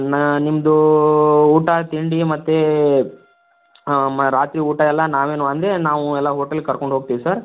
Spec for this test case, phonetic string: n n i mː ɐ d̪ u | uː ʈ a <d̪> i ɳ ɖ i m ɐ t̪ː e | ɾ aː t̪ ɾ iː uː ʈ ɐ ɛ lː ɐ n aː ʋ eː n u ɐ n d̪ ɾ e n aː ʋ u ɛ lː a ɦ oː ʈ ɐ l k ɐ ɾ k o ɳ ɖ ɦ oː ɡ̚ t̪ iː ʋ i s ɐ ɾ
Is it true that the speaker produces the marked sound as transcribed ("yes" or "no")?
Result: no